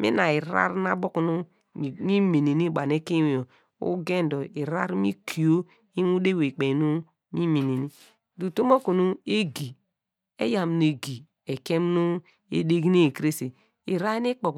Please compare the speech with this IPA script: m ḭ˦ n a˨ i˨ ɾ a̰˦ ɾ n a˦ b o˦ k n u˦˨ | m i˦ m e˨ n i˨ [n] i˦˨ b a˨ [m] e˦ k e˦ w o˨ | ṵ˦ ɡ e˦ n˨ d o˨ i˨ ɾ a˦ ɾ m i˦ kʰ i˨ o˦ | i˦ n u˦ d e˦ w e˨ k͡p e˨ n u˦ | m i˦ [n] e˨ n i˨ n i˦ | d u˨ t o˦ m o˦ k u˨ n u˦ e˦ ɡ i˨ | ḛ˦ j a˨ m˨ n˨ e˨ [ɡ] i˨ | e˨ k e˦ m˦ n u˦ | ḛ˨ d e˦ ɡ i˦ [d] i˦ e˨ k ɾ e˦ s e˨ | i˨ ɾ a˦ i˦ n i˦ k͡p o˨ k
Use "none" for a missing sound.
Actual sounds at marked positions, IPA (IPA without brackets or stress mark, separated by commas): n, n, m, ɡ, n